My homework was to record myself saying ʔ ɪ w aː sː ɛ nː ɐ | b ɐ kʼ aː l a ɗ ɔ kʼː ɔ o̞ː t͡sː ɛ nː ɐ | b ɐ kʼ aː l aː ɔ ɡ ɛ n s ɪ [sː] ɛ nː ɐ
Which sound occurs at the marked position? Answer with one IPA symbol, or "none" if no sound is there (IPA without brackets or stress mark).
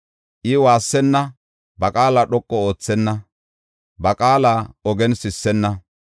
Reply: sː